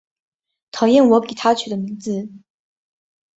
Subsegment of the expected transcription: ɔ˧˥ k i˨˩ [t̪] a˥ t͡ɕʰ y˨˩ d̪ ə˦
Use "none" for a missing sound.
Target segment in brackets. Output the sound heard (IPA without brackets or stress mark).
t̪ʰ